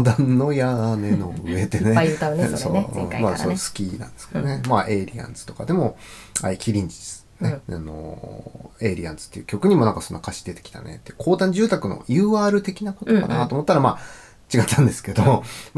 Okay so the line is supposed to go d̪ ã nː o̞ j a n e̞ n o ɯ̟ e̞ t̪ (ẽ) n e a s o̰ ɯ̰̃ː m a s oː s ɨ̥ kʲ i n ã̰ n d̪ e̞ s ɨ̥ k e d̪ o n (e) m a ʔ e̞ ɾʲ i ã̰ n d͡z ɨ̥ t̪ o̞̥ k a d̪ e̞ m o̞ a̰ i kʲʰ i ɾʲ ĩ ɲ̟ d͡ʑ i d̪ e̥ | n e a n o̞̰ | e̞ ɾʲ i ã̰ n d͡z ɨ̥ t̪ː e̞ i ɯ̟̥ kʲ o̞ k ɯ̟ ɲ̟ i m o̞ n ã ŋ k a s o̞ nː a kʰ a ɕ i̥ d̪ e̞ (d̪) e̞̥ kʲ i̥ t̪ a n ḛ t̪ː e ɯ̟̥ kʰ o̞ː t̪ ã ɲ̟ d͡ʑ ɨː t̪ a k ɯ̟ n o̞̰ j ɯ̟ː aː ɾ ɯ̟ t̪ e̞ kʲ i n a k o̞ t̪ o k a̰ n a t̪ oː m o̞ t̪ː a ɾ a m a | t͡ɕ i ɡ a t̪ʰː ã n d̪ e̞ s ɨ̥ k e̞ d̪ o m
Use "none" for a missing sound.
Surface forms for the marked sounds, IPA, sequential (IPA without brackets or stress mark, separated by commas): e, e, t̪